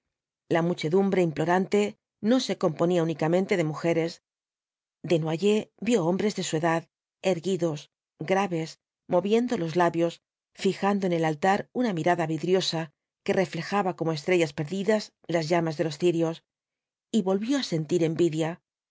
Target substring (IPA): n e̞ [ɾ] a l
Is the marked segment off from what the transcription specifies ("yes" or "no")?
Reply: yes